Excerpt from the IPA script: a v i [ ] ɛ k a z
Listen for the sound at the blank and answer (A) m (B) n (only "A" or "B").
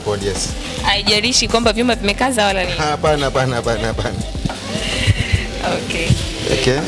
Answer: A